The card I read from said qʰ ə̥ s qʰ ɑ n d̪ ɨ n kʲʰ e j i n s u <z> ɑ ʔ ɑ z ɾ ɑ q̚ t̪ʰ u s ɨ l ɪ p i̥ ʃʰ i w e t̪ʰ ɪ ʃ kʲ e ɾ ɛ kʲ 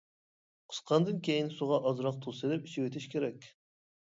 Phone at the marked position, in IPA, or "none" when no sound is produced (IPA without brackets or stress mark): ʁ